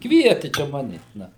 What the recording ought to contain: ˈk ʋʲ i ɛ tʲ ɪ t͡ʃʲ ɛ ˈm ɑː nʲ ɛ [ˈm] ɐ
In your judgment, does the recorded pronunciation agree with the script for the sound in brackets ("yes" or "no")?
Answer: no